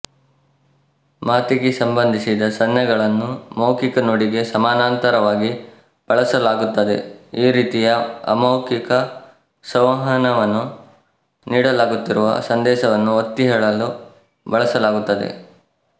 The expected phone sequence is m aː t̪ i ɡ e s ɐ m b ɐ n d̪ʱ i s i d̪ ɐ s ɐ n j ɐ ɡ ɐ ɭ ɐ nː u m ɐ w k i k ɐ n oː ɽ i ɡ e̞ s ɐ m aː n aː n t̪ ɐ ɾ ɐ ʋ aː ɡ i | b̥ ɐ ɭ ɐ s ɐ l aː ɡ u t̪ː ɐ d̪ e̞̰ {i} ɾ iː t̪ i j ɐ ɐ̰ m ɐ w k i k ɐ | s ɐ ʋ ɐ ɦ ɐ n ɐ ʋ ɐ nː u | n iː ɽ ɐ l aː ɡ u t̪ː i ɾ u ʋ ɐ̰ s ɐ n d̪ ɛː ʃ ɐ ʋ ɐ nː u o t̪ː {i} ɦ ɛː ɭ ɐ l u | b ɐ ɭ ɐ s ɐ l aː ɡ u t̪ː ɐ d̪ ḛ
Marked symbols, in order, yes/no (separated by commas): no, yes